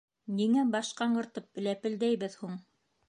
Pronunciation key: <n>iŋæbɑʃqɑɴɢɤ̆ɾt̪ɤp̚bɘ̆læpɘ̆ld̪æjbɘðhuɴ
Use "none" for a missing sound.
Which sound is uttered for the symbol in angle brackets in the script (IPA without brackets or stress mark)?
n